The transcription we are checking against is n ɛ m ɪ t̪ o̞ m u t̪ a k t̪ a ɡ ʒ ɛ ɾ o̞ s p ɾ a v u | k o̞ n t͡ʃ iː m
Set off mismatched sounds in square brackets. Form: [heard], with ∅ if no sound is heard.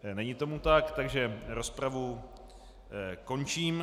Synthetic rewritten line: n ɛ [ɲ] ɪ t̪ o̞ m u t̪ a k t̪ a ɡ ʒ ɛ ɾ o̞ s p ɾ a v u | k o̞ n t͡ʃ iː m